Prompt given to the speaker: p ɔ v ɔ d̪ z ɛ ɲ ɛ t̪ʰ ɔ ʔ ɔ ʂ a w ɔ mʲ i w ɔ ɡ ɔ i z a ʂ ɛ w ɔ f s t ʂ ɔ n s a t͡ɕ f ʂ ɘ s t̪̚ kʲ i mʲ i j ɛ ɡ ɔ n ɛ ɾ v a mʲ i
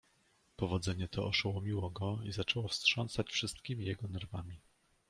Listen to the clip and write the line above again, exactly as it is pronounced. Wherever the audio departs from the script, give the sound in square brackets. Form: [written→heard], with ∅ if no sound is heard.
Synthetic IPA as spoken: p ɔ v ɔ d̪ z ɛ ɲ ɛ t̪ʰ ɔ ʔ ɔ ʂ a w ɔ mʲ i w ɔ ɡ ɔ i z a [ʂ→t͡ʂ] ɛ w ɔ f s t ʂ ɔ n s a t͡ɕ f ʂ ɘ s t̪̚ kʲ i mʲ i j ɛ ɡ ɔ n ɛ ɾ v a mʲ i